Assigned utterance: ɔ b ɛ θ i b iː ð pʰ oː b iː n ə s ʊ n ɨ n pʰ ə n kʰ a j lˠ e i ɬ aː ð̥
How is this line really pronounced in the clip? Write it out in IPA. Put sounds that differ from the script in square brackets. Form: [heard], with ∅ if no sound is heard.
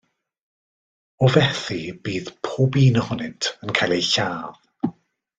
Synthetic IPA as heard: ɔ [v] ɛ θ i b iː ð pʰ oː b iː n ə [h] ʊ n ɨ n [tʰ] ə n kʰ a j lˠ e [j] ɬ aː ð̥